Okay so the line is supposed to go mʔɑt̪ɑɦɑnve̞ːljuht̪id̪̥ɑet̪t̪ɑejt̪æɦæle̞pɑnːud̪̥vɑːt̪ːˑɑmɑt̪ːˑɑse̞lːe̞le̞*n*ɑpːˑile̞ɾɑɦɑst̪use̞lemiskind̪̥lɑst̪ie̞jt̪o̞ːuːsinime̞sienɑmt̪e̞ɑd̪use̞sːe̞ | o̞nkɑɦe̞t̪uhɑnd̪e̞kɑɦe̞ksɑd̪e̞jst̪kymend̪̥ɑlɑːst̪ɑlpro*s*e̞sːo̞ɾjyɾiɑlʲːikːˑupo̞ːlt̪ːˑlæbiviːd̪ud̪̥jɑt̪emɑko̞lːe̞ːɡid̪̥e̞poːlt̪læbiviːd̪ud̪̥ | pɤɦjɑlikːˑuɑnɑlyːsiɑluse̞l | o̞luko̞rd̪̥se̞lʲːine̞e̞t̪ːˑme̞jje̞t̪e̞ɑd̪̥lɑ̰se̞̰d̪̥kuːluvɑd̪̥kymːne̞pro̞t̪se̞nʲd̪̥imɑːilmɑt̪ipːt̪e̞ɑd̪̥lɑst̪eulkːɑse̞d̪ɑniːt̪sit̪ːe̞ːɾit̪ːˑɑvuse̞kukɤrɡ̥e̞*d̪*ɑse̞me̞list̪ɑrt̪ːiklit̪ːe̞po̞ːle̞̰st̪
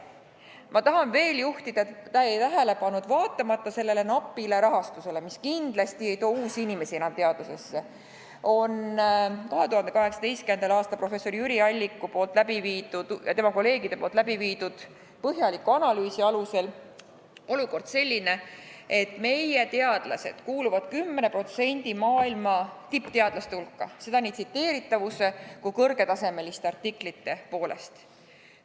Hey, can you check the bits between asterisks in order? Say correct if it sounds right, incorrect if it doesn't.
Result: correct, incorrect, incorrect

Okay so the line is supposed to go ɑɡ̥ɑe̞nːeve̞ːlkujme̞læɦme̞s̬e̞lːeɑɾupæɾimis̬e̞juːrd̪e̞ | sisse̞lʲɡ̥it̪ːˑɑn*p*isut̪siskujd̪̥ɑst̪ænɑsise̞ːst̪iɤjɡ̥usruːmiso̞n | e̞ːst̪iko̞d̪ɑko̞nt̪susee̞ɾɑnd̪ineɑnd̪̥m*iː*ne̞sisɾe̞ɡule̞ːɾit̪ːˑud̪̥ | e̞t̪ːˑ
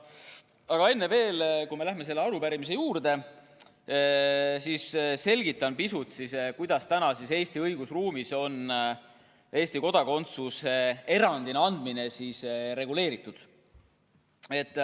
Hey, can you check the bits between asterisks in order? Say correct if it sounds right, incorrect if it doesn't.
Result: correct, incorrect

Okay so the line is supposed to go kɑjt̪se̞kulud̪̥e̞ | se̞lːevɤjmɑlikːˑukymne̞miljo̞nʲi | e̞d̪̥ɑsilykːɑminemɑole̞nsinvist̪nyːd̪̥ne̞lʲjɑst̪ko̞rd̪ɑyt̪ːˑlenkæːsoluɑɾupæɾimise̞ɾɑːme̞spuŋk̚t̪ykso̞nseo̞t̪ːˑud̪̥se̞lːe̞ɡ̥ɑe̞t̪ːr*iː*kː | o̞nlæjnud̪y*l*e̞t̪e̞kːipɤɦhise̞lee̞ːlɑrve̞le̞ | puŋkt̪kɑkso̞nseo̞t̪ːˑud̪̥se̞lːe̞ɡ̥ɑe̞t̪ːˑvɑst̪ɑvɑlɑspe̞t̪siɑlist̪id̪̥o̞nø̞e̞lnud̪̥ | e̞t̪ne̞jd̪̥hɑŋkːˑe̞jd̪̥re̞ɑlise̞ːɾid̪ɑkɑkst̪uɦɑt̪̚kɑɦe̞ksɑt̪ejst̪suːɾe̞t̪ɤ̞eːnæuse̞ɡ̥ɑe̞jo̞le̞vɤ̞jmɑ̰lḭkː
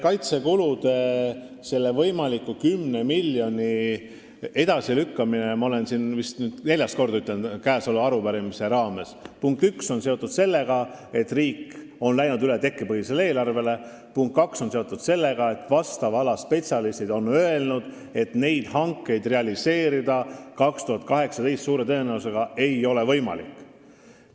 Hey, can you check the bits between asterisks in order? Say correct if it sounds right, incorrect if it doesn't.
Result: correct, correct

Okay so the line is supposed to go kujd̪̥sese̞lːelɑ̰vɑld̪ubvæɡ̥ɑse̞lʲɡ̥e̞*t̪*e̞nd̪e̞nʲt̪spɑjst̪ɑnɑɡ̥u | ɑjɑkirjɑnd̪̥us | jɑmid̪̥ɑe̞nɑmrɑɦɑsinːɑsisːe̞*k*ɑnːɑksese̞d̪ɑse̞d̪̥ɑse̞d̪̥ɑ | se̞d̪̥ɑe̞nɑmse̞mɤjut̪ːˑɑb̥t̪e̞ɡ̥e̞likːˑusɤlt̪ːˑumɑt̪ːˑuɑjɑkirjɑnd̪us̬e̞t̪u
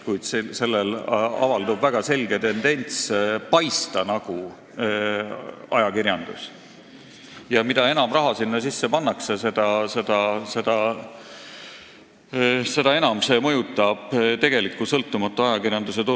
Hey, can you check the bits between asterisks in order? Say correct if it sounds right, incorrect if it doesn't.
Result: correct, incorrect

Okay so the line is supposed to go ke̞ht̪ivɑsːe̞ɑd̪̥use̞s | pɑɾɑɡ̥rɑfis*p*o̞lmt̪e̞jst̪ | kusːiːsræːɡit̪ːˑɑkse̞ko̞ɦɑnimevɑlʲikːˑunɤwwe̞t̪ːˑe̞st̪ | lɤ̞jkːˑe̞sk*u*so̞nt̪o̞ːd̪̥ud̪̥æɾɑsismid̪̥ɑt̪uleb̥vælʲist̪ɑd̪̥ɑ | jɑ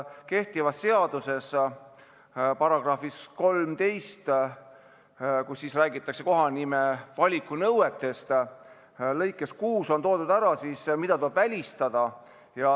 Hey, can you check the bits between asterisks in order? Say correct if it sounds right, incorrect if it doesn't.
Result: incorrect, incorrect

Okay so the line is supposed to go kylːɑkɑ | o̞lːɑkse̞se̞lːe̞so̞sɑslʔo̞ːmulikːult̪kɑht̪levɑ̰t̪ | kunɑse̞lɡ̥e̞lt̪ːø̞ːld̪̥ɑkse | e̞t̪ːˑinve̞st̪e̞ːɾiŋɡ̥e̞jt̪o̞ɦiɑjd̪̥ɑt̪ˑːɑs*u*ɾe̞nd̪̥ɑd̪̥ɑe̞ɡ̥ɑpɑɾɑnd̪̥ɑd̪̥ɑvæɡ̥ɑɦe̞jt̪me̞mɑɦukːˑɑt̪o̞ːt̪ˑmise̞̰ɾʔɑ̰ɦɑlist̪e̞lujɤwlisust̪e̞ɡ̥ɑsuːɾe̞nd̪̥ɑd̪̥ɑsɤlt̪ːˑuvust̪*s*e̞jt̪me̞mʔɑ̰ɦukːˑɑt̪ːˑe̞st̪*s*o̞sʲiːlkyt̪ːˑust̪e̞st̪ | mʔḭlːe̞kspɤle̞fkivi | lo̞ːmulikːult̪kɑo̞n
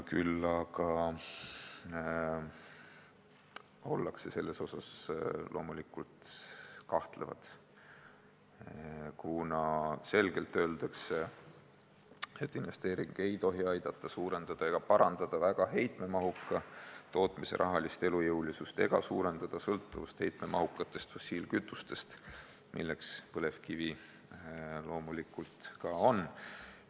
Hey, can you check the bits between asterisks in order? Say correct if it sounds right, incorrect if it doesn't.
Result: incorrect, incorrect, incorrect

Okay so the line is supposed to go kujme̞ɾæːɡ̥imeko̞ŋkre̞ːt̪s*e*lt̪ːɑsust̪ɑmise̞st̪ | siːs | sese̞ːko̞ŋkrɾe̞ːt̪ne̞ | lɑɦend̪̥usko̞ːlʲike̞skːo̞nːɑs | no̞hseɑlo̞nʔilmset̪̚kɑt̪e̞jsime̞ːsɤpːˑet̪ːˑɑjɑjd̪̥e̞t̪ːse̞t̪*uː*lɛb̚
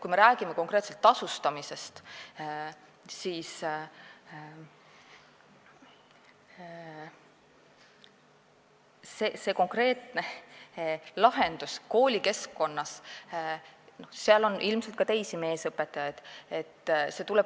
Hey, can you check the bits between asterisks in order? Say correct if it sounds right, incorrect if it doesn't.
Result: correct, incorrect

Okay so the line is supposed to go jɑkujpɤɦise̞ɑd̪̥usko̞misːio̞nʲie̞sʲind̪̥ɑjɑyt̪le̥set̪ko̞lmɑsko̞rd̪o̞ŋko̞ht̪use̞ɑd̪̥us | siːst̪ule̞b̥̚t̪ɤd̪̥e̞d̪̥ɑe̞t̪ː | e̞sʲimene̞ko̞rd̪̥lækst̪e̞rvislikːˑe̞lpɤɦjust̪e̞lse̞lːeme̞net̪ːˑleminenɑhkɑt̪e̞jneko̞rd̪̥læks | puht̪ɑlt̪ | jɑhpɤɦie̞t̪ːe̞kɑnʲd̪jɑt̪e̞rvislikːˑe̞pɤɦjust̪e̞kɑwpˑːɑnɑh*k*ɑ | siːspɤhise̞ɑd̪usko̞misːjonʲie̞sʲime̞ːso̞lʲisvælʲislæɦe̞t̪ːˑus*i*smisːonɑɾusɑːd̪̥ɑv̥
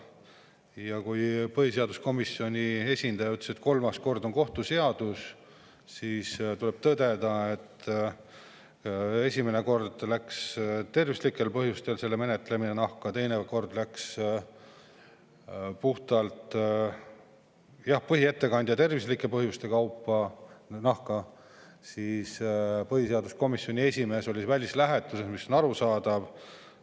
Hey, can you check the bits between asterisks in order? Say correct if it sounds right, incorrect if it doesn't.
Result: correct, incorrect

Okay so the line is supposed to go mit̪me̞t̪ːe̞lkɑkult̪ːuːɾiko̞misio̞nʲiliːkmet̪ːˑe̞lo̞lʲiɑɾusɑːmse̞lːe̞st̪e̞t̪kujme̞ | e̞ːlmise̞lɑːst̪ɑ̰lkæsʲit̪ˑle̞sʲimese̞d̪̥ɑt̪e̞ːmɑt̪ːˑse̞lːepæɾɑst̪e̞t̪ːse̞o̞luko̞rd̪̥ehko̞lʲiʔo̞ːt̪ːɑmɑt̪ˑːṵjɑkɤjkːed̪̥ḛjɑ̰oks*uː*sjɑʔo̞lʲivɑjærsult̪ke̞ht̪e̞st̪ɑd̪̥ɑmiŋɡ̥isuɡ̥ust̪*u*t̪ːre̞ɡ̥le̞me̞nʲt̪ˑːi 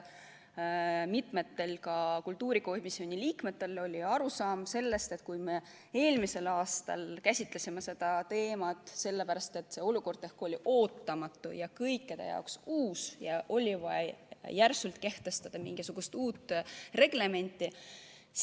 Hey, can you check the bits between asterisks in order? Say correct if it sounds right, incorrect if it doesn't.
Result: correct, incorrect

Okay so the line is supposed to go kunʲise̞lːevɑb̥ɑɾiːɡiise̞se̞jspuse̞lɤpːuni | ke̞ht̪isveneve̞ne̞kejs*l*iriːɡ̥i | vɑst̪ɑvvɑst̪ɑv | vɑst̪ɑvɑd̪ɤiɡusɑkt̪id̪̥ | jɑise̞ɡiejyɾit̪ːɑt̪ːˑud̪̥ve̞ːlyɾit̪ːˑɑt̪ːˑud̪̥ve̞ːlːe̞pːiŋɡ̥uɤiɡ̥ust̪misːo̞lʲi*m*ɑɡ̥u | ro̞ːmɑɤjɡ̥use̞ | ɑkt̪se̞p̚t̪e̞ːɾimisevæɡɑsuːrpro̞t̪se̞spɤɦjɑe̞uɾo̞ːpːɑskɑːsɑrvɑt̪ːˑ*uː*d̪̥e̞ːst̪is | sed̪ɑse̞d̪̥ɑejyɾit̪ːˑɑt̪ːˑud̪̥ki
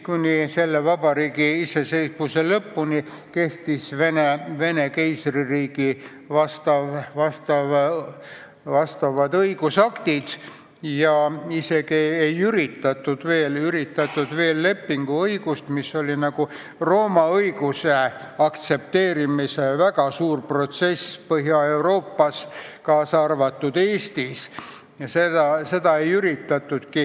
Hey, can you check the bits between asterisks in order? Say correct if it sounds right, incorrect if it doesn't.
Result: incorrect, incorrect, incorrect

